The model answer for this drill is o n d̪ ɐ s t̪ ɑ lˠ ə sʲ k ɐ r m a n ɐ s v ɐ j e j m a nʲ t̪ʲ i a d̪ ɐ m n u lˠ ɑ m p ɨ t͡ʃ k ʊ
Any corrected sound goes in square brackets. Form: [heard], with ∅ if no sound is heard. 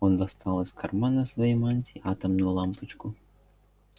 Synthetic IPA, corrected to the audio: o n d̪ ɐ s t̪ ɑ lˠ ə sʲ k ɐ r m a n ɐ s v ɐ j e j m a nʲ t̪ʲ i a [t̪] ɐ m n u lˠ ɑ m p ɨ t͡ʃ k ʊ